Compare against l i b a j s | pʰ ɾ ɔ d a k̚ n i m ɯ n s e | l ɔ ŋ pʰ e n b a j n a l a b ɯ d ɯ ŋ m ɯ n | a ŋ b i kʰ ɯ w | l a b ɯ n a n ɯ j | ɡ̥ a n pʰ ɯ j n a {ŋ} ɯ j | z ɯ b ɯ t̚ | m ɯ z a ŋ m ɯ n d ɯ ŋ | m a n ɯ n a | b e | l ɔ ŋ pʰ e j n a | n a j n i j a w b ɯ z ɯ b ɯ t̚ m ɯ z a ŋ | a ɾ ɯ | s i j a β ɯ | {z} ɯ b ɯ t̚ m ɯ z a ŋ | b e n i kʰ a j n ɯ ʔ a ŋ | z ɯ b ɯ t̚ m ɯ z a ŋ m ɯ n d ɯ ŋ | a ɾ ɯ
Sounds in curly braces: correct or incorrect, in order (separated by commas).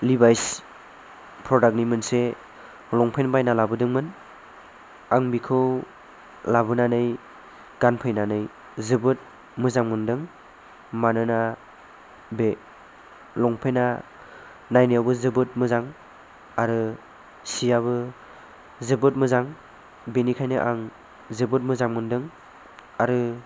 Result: incorrect, correct